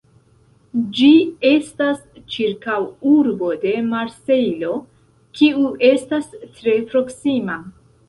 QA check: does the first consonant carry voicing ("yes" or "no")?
yes